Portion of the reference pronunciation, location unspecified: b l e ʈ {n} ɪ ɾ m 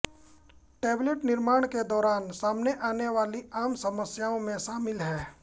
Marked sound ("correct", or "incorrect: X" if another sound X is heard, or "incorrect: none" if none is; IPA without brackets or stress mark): correct